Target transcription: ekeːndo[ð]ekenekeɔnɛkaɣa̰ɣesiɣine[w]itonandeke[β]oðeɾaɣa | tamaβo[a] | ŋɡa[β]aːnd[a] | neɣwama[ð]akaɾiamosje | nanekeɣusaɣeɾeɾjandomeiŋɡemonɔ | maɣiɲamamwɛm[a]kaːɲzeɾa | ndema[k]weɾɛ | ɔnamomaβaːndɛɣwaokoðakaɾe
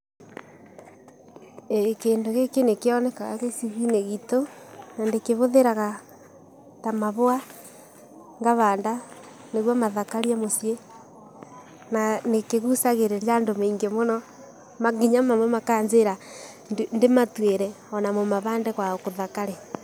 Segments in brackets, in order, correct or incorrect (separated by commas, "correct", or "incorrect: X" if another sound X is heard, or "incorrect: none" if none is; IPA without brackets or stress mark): incorrect: ɣ, incorrect: ɣ, correct, correct, correct, correct, correct, correct, incorrect: t